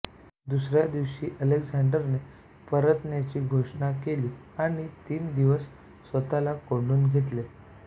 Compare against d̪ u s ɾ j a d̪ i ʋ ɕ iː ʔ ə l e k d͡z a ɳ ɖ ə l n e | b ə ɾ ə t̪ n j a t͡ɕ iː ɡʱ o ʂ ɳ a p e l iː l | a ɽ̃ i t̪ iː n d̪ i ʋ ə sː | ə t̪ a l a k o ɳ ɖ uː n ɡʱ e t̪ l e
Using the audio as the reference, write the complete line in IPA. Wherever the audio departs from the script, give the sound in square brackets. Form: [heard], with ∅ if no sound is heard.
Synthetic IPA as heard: d̪ u s ɾ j a d̪ i ʋ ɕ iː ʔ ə l e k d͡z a ɳ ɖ ə [ɾ] n e | [p] ə ɾ ə t̪ n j a t͡ɕ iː ɡʱ o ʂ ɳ a [k] e l iː [∅] | a ɽ̃ i t̪ iː n d̪ i ʋ ə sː | ə t̪ a l a k o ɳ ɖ uː n ɡʱ e t̪ l e

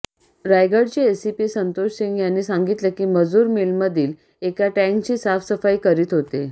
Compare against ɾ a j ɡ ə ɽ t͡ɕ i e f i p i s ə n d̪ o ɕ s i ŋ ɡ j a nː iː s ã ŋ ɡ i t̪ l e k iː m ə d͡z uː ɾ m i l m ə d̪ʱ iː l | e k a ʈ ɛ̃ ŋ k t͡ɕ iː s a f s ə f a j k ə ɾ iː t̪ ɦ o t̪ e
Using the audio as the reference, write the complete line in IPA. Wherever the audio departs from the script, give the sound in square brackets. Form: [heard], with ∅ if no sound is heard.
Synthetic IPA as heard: ɾ a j ɡ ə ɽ t͡ɕ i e [s] i p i s ə n [t̪] o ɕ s i ŋ ɡ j a nː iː s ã ŋ ɡ i t̪ l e k iː m ə d͡z uː ɾ m i l m ə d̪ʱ iː l | e k a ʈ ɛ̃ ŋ k t͡ɕ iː s a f s ə f a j k ə ɾ iː t̪ ɦ o t̪ e

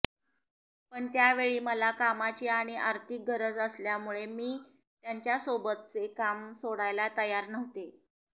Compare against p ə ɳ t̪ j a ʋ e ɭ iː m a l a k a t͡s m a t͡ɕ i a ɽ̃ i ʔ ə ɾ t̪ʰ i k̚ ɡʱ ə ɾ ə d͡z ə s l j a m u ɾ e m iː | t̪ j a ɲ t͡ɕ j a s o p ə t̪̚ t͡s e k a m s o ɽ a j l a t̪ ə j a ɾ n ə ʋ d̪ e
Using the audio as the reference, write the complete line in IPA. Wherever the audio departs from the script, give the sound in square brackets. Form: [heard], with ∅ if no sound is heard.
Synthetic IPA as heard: p ə ɳ t̪ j a ʋ e ɭ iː m [ə] l a k a [∅] m a t͡ɕ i a ɽ̃ i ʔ [a] ɾ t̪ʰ i k̚ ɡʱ ə ɾ ə d͡z ə s l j a m u [ɭ] e m iː | t̪ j a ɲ t͡ɕ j a s o [b] ə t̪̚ t͡s e k a m s o ɽ a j l a t̪ ə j a ɾ n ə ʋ [t̪] e

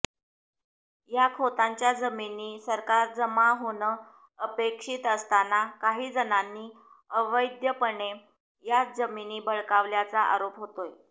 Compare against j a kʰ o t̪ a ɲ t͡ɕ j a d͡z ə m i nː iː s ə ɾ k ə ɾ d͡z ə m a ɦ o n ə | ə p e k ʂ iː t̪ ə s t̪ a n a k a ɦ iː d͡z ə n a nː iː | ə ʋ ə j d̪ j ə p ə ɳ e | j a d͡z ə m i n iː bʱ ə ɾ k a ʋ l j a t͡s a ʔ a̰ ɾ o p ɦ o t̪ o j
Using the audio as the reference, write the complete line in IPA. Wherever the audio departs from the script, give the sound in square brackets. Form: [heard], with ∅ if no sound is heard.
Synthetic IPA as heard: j a kʰ o t̪ a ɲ t͡ɕ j a d͡z ə m i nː iː s ə ɾ k [a] ɾ d͡z ə m a ɦ o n ə | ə p e k ʂ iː t̪ ə s t̪ a n a k a ɦ iː d͡z ə n a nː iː | ə ʋ ə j d̪ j ə p ə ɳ e | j a d͡z ə m i n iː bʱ ə [ɭ] k a ʋ l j a t͡s a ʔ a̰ ɾ o p ɦ o t̪ o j

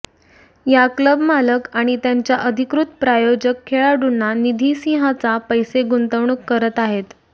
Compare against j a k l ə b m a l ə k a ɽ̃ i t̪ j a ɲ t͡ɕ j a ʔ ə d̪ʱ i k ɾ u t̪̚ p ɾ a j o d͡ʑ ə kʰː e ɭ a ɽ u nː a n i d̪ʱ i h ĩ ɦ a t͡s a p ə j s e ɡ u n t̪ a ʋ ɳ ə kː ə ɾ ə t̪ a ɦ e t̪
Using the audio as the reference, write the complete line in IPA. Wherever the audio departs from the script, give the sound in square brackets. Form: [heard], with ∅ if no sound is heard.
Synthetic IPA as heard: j a k l ə b m a l ə k a ɽ̃ i t̪ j a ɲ t͡ɕ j a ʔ ə d̪ʱ i k ɾ u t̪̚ p ɾ a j o d͡ʑ ə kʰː e ɭ a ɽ u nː a n i d̪ʱ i [s] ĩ ɦ a t͡s a p ə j s e ɡ u n t̪ [ə] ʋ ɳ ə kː ə ɾ ə t̪ a ɦ e t̪

